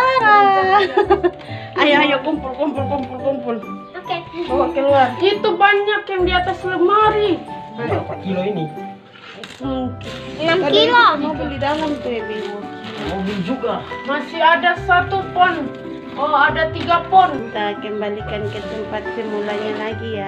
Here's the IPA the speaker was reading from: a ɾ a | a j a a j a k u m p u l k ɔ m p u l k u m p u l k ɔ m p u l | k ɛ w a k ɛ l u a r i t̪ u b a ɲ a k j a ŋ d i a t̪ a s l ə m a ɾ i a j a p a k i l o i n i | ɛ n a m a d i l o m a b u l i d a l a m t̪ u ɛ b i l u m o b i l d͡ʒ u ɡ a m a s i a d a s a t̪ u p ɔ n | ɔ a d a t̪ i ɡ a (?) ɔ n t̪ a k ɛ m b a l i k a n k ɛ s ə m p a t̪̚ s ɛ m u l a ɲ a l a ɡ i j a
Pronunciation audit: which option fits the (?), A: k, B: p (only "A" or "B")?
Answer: B